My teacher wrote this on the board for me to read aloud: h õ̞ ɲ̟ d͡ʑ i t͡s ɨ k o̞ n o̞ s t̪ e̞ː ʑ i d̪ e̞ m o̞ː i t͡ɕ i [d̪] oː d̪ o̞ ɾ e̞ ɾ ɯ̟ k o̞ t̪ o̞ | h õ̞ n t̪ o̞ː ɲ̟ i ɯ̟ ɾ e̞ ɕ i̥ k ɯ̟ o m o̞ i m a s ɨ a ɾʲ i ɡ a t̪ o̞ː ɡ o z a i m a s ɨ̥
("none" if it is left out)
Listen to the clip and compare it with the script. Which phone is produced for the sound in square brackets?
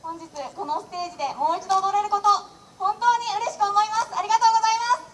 d̪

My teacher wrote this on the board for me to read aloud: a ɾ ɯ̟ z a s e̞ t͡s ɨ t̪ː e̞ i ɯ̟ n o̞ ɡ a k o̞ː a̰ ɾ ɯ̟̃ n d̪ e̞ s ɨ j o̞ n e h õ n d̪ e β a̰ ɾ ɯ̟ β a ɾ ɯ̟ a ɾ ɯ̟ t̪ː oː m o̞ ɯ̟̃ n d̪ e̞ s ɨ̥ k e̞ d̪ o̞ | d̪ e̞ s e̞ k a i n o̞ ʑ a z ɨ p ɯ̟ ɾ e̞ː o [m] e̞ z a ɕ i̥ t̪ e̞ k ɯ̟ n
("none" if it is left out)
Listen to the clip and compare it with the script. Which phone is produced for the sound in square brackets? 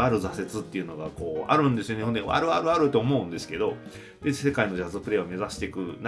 m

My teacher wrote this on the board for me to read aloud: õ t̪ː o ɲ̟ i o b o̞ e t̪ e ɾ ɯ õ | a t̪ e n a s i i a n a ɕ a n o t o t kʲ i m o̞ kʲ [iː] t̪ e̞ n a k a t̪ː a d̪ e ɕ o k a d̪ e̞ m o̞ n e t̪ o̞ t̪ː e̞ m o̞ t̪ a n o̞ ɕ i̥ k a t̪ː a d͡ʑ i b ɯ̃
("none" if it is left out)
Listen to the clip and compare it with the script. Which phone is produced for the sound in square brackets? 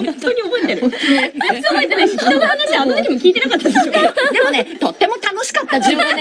iː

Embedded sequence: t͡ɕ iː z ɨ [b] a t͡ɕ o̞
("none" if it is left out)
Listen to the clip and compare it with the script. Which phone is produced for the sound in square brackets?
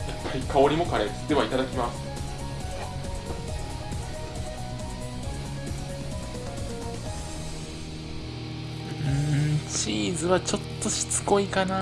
β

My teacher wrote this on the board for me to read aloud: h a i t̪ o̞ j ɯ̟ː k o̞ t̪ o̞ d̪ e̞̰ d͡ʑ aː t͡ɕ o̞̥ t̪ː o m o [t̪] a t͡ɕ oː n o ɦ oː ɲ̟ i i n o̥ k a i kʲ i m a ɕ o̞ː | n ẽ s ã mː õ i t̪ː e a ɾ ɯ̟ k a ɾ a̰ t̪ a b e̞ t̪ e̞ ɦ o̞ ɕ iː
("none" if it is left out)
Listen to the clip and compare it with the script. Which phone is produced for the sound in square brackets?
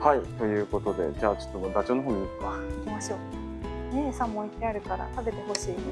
d̪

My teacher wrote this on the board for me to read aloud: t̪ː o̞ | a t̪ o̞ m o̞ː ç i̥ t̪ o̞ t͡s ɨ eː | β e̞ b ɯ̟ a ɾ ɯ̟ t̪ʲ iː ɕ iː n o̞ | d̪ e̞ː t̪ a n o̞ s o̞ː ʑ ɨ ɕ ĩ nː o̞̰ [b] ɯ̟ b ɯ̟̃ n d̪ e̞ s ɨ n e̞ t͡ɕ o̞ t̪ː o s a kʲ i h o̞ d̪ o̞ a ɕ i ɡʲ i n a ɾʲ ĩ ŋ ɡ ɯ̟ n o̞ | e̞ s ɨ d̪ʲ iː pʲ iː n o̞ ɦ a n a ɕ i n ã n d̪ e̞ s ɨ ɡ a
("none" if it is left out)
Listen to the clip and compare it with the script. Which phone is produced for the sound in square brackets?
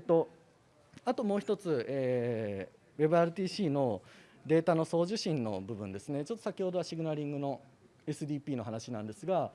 b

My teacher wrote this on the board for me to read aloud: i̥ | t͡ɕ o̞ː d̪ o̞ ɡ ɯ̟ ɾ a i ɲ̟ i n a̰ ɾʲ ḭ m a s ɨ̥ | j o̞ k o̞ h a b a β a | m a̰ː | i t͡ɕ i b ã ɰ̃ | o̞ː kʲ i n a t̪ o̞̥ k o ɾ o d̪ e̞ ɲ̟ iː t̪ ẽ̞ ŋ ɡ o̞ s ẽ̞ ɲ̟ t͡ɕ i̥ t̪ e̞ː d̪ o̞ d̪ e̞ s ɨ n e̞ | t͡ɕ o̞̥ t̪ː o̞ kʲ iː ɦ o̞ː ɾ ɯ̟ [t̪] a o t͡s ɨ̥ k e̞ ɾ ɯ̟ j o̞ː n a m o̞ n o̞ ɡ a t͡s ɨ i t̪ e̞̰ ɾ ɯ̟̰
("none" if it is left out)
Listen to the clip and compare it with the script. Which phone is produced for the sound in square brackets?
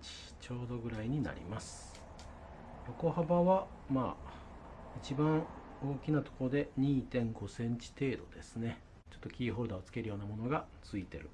d̪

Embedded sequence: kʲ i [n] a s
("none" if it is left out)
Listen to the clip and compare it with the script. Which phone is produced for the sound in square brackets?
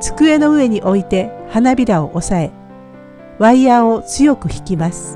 m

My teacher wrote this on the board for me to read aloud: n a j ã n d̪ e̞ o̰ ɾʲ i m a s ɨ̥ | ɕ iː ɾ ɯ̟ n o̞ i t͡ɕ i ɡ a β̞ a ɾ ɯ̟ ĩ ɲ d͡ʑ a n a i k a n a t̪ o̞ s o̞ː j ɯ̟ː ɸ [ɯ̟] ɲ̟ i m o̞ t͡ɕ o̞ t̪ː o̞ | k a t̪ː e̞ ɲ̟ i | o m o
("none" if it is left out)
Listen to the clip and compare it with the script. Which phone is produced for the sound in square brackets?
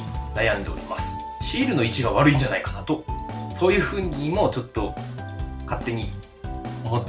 ɯ̟ː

